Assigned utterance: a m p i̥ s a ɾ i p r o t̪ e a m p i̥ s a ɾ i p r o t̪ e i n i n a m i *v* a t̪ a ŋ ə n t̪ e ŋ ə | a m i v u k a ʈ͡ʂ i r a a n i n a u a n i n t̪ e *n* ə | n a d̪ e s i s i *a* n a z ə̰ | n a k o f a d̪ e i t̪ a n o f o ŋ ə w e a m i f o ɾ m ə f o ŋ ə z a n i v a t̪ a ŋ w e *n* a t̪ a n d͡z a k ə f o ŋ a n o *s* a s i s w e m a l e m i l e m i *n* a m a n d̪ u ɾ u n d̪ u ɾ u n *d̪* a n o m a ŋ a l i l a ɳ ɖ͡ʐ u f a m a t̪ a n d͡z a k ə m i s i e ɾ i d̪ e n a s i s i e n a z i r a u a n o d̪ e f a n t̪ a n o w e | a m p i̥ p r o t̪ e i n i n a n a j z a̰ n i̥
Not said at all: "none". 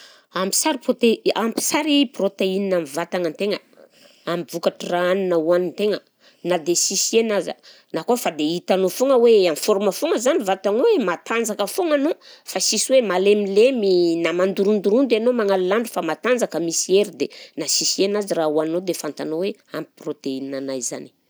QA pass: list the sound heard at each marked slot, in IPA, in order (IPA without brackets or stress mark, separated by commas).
v, ŋ, e, m, f, n, d̪